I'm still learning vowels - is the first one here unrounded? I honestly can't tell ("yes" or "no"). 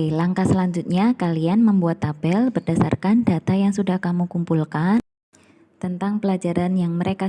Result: yes